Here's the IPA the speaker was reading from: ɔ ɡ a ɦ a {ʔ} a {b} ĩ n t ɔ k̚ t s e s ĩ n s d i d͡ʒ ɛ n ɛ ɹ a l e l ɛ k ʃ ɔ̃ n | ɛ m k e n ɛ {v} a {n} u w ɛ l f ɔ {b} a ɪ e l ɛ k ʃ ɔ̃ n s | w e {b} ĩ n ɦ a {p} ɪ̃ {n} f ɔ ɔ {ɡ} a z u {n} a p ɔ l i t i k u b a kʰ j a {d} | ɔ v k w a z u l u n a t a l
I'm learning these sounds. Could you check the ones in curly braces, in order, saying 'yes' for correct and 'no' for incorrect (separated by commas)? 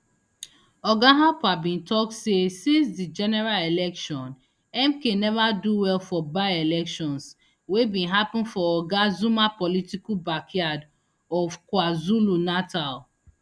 no, yes, yes, no, yes, yes, yes, yes, yes, no, yes